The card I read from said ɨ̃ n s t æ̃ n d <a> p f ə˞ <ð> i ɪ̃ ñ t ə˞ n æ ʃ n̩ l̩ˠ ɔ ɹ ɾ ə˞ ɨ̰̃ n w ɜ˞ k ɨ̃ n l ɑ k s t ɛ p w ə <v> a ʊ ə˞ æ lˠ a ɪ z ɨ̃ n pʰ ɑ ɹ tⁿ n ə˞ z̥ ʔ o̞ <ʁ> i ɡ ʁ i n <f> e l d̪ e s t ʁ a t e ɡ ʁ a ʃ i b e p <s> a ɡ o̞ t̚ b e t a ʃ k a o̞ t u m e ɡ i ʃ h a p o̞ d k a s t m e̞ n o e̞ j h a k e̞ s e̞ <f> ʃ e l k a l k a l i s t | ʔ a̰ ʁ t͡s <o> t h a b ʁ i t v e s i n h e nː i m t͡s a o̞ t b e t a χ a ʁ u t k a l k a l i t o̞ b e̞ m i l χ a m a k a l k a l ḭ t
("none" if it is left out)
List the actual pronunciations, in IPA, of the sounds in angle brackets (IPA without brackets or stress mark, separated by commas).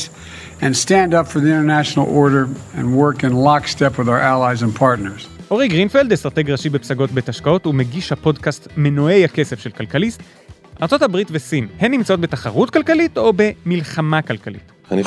ʌ, ð, ð, ʁ, f, s, f, o